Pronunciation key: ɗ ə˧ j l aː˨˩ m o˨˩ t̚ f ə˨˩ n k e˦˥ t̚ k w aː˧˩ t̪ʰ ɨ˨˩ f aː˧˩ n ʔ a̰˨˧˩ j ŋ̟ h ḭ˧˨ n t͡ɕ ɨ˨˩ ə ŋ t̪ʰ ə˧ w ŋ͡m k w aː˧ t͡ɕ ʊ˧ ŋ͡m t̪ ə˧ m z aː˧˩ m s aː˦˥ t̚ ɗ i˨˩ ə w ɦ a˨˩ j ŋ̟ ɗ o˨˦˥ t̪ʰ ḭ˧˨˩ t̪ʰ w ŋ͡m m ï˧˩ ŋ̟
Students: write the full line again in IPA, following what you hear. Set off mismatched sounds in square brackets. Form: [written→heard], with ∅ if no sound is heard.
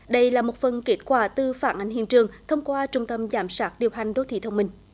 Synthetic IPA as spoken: ɗ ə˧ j l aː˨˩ m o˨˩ t̚ f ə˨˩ n k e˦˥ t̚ k w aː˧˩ [t̪ʰ→t̪] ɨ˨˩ f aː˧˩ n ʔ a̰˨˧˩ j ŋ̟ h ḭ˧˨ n t͡ɕ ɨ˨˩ ə ŋ t̪ʰ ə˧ w ŋ͡m k w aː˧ t͡ɕ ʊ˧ ŋ͡m t̪ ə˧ m z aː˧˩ m s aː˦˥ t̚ ɗ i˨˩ ə w ɦ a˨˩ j ŋ̟ ɗ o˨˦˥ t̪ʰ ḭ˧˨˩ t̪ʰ w ŋ͡m m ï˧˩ ŋ̟